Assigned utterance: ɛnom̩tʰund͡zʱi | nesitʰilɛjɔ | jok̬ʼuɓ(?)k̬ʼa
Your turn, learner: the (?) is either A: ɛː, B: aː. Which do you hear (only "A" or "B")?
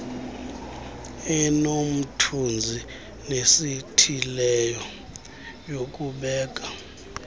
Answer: A